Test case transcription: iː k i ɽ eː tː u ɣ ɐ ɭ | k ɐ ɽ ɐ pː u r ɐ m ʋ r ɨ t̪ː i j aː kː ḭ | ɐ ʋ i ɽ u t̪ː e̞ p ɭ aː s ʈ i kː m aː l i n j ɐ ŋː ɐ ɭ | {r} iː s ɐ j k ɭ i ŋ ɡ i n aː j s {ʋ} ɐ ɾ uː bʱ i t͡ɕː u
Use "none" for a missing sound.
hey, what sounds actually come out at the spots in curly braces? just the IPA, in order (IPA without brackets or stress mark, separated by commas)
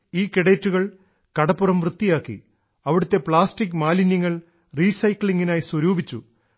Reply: r, w